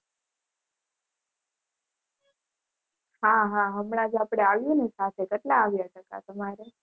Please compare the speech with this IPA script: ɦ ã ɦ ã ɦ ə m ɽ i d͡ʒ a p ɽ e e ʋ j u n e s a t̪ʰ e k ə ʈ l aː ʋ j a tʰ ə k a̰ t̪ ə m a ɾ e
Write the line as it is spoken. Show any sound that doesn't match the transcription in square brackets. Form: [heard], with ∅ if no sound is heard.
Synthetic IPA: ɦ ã ɦ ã ɦ ə m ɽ [a] d͡ʒ a p ɽ e [a] ʋ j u n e s a t̪ʰ e k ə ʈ l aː ʋ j a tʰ ə k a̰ t̪ ə m a ɾ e